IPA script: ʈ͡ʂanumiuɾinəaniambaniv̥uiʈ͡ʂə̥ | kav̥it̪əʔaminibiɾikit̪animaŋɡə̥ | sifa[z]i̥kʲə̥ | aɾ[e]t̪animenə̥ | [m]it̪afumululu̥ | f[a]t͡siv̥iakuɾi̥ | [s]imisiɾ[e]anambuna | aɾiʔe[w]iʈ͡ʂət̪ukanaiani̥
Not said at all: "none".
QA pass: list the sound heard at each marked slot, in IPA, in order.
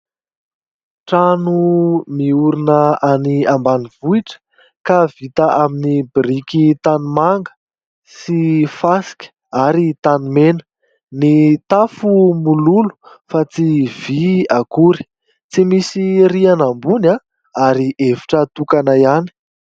s, i, n, a, t͡s, i, v

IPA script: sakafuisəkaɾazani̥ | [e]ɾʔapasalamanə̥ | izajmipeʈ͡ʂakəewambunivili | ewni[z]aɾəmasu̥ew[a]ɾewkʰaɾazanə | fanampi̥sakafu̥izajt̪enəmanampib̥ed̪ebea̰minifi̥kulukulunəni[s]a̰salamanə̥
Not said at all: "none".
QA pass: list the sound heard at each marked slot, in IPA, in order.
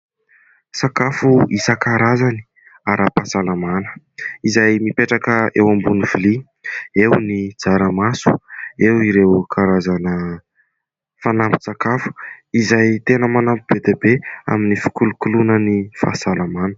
a, d͡z, i, f

